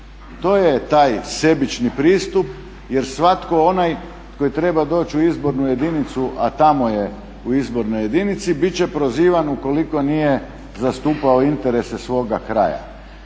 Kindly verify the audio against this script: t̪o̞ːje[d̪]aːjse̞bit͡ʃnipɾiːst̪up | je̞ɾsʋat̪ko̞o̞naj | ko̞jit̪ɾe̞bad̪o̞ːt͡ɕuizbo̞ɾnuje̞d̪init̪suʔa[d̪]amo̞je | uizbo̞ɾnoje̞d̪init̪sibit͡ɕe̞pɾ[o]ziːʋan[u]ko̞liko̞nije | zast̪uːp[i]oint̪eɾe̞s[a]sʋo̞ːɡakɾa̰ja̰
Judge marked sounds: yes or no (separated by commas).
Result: no, no, yes, yes, no, no